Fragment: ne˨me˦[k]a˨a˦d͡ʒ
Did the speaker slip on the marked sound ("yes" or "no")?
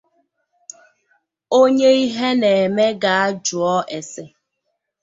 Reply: yes